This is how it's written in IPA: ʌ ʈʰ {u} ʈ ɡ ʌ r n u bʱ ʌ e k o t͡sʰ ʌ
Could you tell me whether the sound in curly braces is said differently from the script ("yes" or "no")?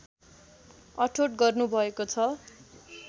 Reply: yes